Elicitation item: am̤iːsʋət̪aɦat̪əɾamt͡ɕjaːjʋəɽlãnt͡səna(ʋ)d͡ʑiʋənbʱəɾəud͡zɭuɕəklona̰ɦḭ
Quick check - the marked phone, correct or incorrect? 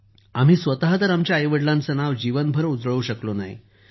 correct